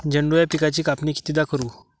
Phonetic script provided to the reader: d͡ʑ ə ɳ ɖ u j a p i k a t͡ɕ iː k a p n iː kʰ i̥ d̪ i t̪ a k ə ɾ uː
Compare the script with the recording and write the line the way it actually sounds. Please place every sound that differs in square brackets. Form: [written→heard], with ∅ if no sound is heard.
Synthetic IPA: d͡ʑ ə ɳ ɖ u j a p i k a t͡ɕ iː k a p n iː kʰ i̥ [d̪→t̪] i [t̪→d̪] a k ə ɾ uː